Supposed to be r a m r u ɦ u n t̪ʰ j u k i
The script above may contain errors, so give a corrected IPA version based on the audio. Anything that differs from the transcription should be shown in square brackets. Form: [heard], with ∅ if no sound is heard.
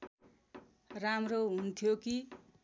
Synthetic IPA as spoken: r a m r [o] ɦ u n t̪ʰ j [o] k i